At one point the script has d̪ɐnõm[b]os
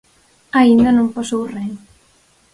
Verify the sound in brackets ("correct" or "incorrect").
incorrect